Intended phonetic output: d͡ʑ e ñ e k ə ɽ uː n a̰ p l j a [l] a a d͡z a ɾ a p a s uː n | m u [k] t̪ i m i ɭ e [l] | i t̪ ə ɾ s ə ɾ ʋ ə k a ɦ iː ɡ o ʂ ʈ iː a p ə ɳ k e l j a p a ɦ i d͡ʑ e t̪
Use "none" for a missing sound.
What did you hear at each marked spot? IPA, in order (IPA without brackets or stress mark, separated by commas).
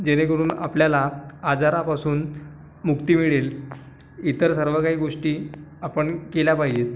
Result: l, k, l